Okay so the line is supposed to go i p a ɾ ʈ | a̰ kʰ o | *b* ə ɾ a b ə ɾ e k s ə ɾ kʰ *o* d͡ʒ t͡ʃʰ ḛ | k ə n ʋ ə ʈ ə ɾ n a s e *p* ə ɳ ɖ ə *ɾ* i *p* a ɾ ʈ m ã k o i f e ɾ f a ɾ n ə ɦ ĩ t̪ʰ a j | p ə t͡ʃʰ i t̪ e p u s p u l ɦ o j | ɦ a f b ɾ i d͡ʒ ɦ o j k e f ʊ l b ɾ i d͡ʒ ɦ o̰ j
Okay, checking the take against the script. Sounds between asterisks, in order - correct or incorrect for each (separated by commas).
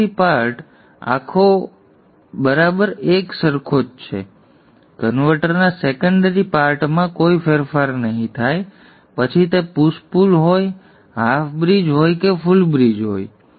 correct, correct, incorrect, correct, correct